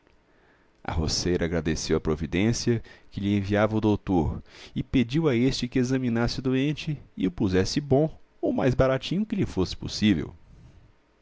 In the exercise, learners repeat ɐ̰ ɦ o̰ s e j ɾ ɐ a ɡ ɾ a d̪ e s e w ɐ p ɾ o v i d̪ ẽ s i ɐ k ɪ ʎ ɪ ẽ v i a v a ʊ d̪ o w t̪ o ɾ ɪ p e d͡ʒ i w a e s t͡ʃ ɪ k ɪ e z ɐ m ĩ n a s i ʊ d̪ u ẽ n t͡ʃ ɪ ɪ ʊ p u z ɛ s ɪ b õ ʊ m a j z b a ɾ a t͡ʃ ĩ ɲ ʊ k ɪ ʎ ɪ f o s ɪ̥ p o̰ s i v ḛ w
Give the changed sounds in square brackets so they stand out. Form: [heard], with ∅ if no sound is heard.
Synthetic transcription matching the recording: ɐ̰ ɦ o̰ s e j ɾ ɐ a ɡ ɾ a d̪ e s e w ɐ p ɾ o v i d̪ ẽ s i ɐ k ɪ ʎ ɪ ẽ v i a v [ɐ] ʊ d̪ o w t̪ o ɾ ɪ p e d͡ʒ i w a e s t͡ʃ ɪ k ɪ e z ɐ m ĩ n a s [ɪ] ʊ d̪ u ẽ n t͡ʃ ɪ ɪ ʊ p u z ɛ s ɪ b õ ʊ m a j z b a ɾ a t͡ʃ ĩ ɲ ʊ k ɪ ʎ ɪ f o s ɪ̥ p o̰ s i v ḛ w